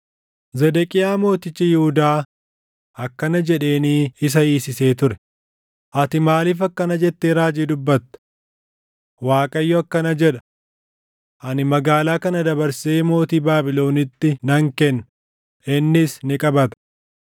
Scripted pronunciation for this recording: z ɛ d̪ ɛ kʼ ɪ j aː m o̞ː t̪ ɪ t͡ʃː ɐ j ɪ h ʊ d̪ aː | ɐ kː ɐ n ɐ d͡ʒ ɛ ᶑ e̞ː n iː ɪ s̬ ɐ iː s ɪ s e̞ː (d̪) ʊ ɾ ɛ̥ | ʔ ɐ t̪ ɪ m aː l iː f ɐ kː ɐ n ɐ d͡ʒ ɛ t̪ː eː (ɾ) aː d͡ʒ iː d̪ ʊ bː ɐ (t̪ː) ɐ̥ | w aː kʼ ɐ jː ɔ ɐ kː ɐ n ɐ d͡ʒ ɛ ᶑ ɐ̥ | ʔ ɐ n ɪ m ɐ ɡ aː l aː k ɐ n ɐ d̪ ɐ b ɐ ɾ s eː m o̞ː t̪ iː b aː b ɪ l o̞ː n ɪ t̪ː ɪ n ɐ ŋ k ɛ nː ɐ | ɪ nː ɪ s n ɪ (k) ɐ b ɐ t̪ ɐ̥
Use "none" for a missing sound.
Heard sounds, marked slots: t̪, ɾ, t̪ː, kʼ

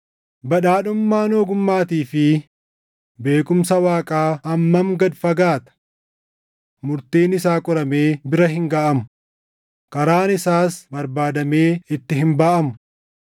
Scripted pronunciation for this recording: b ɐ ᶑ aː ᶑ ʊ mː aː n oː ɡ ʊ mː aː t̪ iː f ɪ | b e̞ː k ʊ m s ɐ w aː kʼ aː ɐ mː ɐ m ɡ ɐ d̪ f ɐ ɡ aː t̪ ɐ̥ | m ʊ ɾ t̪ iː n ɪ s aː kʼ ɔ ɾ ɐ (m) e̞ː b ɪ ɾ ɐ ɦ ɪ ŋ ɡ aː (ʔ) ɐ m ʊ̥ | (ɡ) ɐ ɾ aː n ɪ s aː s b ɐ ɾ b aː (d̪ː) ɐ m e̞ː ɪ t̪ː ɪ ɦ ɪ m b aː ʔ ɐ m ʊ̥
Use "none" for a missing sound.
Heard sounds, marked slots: m, ʔ, k, d̪

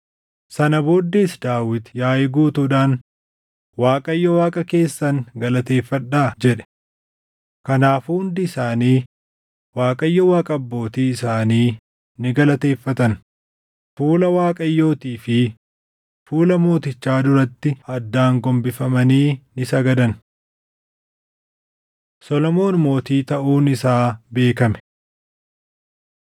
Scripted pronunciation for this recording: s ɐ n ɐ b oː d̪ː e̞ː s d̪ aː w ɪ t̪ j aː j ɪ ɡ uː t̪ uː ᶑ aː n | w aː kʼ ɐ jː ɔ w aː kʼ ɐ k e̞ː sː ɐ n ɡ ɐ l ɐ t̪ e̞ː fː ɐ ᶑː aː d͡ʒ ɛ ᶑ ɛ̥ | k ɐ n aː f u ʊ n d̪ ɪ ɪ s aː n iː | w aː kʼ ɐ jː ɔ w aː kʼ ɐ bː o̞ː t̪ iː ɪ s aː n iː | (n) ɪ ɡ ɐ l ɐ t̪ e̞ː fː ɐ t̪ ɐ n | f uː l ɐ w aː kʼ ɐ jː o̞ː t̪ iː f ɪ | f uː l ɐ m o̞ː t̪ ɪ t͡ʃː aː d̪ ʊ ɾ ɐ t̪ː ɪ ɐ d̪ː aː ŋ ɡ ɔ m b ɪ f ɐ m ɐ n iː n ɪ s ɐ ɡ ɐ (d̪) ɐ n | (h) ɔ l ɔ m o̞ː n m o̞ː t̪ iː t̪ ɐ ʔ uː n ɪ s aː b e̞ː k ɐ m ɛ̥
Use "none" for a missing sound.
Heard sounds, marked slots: n, d̪, s

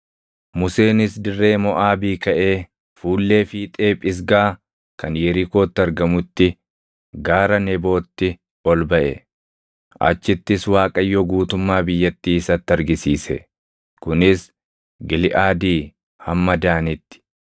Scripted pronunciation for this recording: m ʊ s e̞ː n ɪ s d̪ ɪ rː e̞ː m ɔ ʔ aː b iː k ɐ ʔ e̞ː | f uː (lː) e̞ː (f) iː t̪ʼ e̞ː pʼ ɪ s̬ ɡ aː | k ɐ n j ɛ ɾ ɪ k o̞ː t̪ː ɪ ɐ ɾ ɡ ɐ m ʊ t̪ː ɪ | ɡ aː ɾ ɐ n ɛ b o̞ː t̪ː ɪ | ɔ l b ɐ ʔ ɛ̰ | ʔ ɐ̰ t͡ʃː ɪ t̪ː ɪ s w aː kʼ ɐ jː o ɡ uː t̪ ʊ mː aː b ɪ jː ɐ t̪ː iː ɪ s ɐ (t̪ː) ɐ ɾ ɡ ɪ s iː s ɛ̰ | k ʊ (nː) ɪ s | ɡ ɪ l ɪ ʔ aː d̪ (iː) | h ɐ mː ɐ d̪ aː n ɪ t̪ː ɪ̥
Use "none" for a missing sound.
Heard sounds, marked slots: lː, f, t̪ː, n, iː

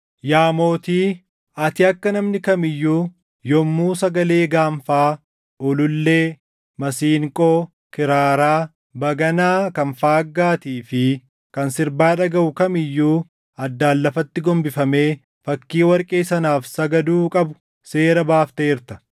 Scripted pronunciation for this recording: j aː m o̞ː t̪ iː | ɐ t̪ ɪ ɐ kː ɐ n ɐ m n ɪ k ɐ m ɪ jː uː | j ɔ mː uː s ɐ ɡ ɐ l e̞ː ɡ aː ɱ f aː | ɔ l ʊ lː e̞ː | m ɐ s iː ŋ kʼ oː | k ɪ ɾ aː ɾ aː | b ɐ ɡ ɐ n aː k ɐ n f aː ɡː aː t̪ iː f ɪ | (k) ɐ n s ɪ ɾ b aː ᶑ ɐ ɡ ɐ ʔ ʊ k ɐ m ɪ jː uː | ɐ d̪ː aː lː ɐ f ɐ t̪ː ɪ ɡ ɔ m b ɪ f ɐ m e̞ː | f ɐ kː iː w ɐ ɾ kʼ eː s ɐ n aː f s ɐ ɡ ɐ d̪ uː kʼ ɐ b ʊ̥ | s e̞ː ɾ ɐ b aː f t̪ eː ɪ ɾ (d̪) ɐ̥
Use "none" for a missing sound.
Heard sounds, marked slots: k, t̪

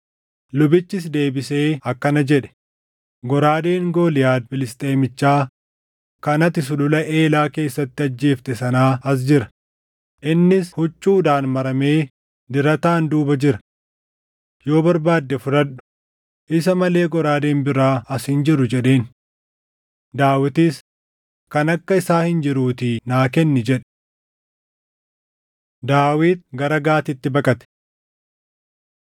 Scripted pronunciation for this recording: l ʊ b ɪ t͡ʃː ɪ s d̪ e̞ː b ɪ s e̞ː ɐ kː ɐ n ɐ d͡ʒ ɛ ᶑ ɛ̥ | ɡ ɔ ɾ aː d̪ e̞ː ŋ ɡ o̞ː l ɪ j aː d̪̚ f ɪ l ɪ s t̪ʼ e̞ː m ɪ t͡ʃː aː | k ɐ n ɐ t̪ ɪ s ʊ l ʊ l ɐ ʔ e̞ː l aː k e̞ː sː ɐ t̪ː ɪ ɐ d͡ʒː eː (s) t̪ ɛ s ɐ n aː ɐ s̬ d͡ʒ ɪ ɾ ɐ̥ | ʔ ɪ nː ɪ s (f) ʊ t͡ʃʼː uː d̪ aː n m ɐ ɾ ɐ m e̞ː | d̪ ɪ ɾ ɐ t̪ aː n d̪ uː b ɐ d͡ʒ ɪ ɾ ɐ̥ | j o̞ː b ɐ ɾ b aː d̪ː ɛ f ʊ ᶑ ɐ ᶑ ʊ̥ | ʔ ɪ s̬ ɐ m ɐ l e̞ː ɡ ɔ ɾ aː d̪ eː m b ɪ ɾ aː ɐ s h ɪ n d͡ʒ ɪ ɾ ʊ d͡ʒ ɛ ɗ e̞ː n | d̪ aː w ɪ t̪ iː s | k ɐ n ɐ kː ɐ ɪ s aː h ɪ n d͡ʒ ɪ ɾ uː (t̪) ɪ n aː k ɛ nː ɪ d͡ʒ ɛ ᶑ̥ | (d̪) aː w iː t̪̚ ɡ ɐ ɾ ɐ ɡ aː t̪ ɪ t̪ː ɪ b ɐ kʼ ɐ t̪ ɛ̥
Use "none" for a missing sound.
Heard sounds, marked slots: f, h, t̪, d̪

